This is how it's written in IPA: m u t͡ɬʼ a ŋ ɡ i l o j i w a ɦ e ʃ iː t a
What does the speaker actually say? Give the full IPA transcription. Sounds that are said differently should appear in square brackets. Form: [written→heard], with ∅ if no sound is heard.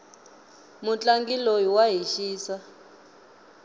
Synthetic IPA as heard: m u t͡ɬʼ a ŋ ɡ i l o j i w a ɦ [e→i] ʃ iː [t→s] a